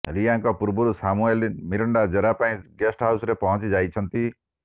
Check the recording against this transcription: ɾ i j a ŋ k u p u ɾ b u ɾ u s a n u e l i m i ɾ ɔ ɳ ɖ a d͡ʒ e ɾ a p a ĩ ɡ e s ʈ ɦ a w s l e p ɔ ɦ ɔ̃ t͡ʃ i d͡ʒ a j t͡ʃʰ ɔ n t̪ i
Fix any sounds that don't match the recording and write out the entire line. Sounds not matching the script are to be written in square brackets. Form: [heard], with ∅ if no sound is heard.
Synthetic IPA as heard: ɾ i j a ŋ k [ɔ] p u ɾ b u ɾ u s a [m] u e l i m i ɾ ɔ ɳ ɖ a d͡ʒ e ɾ a p a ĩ ɡ e s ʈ ɦ a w s [ɾ] e p ɔ ɦ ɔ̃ t͡ʃ i d͡ʒ a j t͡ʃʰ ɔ n t̪ i